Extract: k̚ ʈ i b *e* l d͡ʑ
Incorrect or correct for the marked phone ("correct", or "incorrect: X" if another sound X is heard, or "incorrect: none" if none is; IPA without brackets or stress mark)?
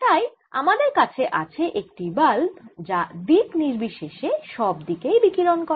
incorrect: a